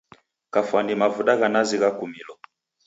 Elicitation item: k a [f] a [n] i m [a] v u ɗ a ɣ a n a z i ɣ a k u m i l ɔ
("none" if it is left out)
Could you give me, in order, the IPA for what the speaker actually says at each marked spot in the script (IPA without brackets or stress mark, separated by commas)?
f, n, a